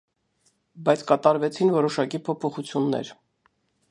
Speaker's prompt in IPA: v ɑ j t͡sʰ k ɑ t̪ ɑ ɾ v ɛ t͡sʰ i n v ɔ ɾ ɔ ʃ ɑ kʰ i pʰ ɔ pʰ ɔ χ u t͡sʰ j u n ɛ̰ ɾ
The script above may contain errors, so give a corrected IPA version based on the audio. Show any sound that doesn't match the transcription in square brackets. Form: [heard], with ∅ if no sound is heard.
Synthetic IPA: [b] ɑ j t͡sʰ k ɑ t̪ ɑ ɾ v ɛ t͡sʰ i n v ɔ ɾ ɔ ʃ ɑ [k] i pʰ ɔ pʰ ɔ χ u t͡sʰ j u [nː] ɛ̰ ɾ